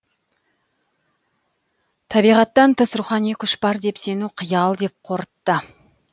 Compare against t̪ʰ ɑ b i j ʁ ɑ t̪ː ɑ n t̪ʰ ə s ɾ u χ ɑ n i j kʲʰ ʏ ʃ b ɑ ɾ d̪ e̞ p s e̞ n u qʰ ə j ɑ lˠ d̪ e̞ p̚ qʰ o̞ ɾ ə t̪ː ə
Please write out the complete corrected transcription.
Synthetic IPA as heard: t̪ʰ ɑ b i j ʁ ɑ t̪ː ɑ n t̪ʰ ə s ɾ u χ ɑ n i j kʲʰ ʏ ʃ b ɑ ɾ d̪ e̞ p s e̞ n u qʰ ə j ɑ lˠ d̪ e̞ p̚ qʰ o̞ ɾ ə t̪ː ə